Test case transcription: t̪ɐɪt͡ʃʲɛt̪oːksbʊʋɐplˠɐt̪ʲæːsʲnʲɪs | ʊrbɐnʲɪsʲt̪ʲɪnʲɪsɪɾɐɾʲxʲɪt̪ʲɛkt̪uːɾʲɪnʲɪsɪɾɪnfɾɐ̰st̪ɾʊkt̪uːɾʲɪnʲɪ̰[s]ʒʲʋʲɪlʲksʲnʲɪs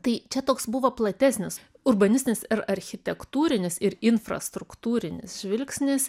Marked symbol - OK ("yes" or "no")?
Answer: yes